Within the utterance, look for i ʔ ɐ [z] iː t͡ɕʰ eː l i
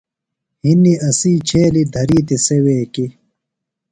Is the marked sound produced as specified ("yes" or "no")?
no